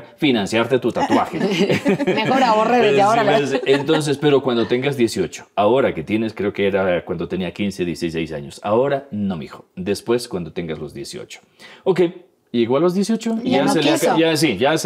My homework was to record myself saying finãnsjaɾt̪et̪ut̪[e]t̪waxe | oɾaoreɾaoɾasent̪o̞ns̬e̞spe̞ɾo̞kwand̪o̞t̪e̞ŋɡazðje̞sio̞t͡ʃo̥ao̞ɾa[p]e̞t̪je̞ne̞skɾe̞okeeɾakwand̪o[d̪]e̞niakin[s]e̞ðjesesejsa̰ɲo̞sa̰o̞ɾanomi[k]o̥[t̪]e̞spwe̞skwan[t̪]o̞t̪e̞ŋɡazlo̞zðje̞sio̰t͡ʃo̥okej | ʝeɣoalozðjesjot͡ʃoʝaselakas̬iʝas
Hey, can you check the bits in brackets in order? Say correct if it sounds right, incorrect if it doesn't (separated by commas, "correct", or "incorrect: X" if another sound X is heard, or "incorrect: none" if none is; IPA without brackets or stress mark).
incorrect: a, incorrect: k, incorrect: t̪, correct, incorrect: x, incorrect: d̪, incorrect: d̪